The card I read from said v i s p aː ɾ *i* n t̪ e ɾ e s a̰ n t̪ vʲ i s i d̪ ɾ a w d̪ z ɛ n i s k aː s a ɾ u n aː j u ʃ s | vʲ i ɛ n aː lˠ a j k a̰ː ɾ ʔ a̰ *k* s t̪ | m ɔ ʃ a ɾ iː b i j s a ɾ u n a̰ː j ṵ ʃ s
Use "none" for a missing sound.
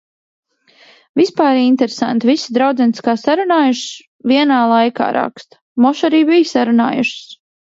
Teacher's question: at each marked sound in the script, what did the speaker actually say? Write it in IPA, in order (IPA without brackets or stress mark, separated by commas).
i, k